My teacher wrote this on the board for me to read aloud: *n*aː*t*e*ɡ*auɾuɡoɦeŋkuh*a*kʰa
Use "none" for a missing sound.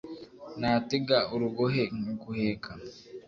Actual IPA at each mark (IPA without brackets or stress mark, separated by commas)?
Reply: n, t, ɡ, e